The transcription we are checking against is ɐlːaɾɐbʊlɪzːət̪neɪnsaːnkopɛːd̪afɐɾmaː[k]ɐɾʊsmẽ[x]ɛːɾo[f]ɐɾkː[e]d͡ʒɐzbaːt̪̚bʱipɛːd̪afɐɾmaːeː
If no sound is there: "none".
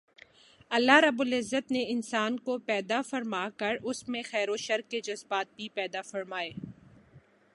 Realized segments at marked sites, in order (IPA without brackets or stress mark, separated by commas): k, x, ʃ, e